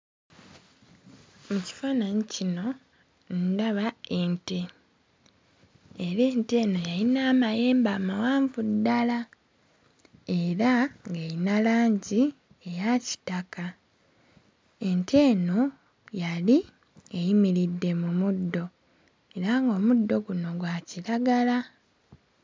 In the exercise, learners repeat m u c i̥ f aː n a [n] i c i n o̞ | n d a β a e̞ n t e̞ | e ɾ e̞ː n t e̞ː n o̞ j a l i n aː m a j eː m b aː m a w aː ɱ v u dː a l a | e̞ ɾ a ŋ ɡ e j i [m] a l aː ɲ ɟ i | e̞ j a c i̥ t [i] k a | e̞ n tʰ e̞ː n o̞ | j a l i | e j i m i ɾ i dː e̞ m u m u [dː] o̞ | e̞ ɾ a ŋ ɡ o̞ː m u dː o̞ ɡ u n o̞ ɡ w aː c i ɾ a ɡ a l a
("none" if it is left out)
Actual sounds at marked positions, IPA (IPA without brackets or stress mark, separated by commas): ɲ, n, a, dː